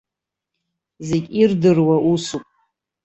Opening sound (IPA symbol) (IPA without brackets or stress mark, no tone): z